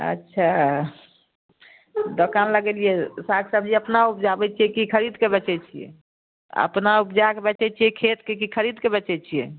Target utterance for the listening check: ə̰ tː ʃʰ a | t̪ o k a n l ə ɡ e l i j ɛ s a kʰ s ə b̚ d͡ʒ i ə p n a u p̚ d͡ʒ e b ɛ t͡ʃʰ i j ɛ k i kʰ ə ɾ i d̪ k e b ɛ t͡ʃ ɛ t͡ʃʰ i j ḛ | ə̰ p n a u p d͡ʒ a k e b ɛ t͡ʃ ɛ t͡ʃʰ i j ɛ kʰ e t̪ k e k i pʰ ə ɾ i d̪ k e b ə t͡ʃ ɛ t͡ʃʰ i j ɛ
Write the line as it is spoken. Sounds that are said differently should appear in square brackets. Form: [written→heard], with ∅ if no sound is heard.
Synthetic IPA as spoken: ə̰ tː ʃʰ a | [t̪→d̪] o k a n l ə ɡ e l i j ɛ s a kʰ s ə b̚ d͡ʒ i ə p n a u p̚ d͡ʒ [e→a] b ɛ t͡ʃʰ i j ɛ k i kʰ ə ɾ i d̪ k e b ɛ t͡ʃ ɛ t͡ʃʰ i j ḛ | ə̰ p n a u p d͡ʒ a k e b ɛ t͡ʃ ɛ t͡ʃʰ i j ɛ kʰ e t̪ k e k i [pʰ→kʰ] ə ɾ i d̪ k e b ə t͡ʃ ɛ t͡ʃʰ i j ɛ